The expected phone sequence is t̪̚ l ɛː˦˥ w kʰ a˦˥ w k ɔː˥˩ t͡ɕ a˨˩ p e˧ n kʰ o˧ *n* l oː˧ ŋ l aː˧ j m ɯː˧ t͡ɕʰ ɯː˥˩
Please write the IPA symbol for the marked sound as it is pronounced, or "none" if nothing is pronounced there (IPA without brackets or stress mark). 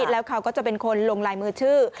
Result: n